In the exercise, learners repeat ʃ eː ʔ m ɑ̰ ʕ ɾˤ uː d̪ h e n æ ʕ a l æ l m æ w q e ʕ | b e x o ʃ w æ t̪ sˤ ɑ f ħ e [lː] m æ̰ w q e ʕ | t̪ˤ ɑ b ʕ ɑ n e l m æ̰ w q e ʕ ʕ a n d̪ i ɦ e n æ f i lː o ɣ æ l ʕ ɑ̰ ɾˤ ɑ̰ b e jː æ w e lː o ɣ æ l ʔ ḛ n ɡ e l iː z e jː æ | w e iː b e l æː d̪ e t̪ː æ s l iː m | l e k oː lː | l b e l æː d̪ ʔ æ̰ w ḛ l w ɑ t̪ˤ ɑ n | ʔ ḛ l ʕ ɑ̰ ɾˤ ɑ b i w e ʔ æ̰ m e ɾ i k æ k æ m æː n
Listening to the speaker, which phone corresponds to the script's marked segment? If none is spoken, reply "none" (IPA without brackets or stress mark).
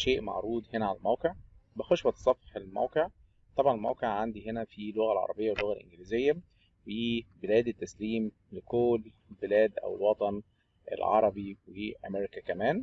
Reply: l